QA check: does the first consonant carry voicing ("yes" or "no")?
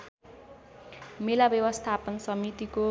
yes